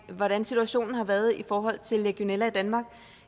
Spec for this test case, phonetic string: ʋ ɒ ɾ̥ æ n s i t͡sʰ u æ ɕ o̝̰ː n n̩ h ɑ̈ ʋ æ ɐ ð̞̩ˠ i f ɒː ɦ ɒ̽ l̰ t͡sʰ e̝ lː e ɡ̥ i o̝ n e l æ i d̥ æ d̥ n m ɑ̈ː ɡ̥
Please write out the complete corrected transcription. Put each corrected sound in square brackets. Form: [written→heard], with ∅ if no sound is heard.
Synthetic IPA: ʋ ɒ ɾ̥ æ n s i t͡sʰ u æ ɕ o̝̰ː n n̩ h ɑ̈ ʋ æ ɐ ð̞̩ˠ i f ɒː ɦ ɒ̽ l̰ t͡sʰ e̝ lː e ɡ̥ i o̝ n e l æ i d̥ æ [d̥→∅] n m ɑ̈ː ɡ̥